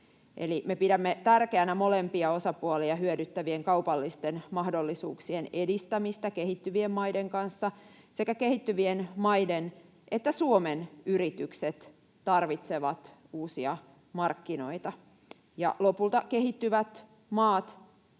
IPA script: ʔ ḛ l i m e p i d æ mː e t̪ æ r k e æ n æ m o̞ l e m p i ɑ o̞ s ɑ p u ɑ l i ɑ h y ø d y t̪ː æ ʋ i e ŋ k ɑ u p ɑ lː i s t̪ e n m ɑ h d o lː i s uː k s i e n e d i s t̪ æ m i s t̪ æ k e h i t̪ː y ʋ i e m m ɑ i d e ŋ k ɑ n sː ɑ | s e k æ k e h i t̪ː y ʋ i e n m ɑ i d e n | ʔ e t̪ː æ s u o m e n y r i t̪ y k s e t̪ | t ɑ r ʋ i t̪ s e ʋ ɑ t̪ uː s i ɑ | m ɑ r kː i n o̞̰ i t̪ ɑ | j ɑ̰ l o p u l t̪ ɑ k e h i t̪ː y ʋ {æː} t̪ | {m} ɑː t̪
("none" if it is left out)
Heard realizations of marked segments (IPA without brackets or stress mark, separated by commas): æ, m